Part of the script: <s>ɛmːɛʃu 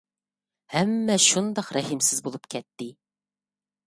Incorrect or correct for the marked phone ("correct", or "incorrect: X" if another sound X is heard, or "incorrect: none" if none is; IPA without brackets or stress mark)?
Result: incorrect: h